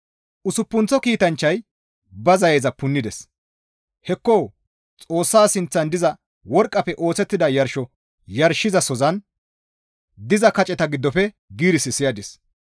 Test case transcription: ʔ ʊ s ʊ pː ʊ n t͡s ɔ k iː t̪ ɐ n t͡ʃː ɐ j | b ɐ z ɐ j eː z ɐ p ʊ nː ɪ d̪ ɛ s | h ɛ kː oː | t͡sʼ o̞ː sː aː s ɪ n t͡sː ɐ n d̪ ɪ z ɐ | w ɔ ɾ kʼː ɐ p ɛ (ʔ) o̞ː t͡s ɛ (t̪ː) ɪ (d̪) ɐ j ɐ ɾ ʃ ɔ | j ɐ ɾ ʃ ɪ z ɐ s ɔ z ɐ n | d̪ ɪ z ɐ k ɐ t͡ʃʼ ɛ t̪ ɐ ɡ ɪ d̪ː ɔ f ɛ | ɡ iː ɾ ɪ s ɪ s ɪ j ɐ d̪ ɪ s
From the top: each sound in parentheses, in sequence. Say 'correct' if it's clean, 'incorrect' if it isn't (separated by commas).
correct, correct, correct